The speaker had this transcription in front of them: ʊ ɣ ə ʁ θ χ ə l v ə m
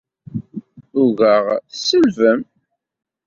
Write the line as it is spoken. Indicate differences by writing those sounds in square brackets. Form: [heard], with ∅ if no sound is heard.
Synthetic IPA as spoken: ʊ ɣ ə ʁ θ [s] ə l v ə m